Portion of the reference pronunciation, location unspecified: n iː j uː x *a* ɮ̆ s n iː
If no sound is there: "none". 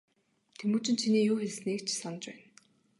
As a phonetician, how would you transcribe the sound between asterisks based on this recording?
e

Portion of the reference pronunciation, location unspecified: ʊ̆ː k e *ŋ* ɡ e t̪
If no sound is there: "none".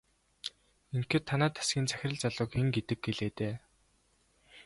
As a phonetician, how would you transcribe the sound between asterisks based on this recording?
ŋ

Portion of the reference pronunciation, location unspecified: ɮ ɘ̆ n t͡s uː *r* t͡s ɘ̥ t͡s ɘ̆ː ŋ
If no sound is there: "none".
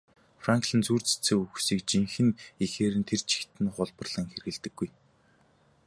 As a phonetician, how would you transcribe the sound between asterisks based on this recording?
r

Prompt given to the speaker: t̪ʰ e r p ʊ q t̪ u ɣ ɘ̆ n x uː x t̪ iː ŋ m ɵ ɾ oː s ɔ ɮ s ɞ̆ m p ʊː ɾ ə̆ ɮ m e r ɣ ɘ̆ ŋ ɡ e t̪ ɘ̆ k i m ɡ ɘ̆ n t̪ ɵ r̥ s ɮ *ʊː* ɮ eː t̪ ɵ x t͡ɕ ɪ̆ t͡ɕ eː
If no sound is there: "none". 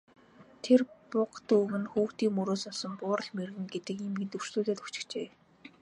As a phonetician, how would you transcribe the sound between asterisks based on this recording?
uː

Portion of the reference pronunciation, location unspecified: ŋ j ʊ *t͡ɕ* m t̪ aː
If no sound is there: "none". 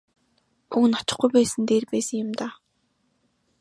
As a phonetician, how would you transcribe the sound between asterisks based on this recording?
none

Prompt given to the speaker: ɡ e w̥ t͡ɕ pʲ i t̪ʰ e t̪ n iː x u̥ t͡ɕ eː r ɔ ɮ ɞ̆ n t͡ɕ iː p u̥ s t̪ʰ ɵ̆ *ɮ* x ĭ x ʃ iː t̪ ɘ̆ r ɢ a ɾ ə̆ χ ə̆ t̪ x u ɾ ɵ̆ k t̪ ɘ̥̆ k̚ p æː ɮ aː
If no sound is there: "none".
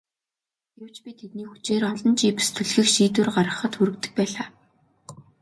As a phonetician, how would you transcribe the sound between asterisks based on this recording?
ɮ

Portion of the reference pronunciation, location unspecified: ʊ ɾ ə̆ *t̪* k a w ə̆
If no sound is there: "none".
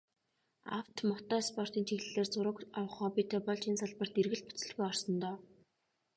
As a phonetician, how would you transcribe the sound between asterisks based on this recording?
none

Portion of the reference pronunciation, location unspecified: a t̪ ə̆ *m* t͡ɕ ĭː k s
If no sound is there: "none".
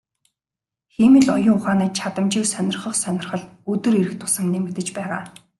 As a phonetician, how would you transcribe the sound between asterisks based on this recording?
m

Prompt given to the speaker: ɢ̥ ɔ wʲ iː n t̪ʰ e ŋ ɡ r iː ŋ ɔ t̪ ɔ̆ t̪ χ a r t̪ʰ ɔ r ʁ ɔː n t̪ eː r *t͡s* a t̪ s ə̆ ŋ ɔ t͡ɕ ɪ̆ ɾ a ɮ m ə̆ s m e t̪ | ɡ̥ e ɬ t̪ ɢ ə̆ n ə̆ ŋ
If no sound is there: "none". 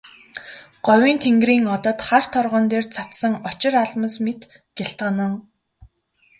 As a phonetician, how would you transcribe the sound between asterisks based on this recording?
t͡sʰ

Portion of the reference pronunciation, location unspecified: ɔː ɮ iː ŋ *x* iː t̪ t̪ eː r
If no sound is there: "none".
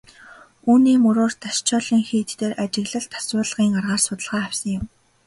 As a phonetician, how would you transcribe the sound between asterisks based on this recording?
x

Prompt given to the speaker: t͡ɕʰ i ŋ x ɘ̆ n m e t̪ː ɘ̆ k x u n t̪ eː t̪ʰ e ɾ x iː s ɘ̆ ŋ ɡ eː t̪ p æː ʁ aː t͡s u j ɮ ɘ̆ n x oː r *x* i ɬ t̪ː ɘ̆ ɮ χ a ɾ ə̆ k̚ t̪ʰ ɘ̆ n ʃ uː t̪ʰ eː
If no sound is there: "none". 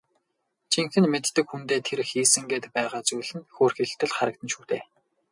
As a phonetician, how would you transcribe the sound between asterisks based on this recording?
x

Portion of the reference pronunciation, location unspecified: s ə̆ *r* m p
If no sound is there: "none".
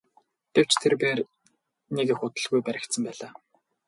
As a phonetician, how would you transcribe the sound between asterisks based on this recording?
none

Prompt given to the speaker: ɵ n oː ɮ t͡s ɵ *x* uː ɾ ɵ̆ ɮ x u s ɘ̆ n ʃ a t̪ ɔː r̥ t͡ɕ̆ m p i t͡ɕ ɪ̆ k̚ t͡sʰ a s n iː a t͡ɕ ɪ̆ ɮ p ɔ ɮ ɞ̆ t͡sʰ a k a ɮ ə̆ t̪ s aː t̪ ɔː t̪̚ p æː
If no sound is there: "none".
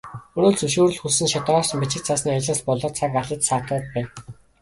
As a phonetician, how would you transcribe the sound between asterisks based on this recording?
ʃ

